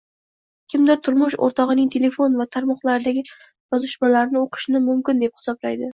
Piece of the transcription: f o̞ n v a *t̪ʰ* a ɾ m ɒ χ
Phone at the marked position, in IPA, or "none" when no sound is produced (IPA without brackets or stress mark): t̪ʰ